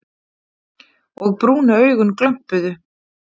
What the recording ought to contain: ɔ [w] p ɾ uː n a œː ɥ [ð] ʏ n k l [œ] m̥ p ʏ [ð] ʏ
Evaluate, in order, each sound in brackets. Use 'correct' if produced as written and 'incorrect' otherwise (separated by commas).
incorrect, incorrect, correct, correct